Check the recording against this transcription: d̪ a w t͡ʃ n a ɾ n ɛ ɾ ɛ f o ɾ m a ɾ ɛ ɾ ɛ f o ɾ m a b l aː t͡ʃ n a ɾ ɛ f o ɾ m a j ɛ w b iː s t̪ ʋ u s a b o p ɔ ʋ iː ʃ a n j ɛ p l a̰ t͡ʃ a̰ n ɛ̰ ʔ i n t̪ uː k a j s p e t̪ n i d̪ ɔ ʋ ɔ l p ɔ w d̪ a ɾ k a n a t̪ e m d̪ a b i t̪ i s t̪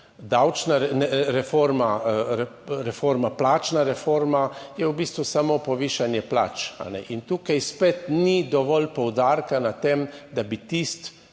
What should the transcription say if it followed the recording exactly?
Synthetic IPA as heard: d̪ a w t͡ʃ n a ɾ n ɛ ɾ ɛ f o ɾ m a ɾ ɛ ɾ ɛ f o ɾ m a p l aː t͡ʃ n a ɾ ɛ f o ɾ m a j ɛ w b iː s t̪ ʋ u s a m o p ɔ ʋ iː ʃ a n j ɛ p l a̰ t͡ʃ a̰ n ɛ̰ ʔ i n t̪ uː k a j s p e t̪ n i d̪ ɔ ʋ ɔ l p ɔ w d̪ a ɾ k a n a t̪ e m d̪ a b i t̪ i s t̪